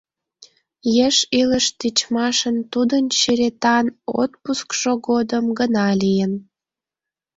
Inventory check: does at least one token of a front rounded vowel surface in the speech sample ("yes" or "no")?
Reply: no